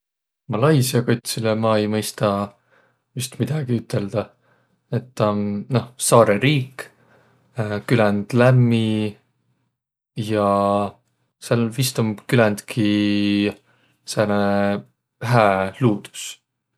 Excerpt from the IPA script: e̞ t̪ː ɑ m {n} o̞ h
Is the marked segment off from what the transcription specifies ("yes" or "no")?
no